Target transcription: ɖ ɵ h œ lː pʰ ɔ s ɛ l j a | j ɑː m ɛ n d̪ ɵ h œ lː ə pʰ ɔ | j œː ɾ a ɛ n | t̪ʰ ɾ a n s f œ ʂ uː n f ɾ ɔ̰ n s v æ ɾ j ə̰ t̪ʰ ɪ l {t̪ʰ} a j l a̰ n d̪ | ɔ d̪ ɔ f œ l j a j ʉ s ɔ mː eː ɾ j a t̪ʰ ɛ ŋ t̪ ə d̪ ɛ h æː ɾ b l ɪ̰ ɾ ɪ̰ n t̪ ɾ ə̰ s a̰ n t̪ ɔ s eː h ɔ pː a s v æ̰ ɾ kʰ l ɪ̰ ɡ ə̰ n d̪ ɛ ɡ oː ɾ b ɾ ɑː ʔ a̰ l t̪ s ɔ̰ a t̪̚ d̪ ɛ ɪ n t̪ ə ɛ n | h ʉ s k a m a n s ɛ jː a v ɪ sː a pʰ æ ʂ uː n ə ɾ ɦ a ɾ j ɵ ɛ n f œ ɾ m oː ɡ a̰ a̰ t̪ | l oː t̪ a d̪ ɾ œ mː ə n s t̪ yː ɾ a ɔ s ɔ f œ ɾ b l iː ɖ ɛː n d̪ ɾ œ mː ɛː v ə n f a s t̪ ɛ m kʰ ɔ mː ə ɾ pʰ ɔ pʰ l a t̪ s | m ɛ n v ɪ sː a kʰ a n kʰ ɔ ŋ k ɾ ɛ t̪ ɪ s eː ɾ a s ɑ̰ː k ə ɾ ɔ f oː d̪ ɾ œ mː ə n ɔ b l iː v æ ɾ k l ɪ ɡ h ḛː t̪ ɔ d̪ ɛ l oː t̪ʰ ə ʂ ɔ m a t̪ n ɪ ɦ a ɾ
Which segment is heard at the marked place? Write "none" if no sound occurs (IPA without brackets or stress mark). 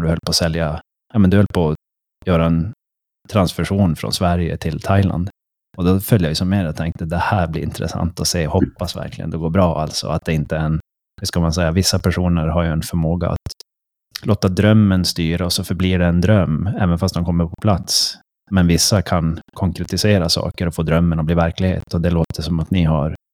t̪ʰ